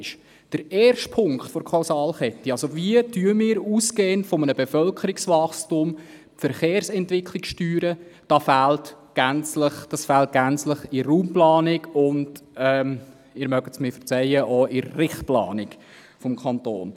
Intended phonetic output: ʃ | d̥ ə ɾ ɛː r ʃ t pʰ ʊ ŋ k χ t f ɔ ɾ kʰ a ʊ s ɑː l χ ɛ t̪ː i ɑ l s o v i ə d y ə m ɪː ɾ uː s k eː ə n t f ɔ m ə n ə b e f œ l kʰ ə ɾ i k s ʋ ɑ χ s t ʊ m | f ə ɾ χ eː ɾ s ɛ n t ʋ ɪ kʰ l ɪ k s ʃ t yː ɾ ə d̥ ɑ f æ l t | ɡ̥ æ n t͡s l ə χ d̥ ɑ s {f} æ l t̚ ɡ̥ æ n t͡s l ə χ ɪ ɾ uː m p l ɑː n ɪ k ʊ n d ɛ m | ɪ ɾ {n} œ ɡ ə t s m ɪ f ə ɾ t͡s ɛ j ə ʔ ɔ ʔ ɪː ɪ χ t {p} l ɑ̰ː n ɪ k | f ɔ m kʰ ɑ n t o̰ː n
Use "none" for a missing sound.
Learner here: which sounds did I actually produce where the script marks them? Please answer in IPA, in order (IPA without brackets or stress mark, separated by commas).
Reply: f, m, p